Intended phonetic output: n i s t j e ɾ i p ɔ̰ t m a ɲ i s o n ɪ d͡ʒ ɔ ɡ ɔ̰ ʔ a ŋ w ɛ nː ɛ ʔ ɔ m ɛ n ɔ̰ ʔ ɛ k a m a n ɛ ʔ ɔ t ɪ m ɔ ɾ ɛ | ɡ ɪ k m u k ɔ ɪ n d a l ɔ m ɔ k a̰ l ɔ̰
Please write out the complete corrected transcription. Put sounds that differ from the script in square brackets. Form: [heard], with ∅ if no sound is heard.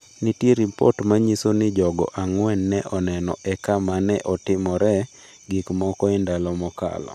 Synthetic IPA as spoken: n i [∅] t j e ɾ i p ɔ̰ t m a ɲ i s o n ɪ d͡ʒ ɔ ɡ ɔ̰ ʔ a ŋ w ɛ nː ɛ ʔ ɔ [n] ɛ n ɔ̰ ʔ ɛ k a m a n ɛ ʔ ɔ t ɪ m ɔ ɾ ɛ | ɡ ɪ k m [ɔ] k ɔ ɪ n d a l ɔ m ɔ k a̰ l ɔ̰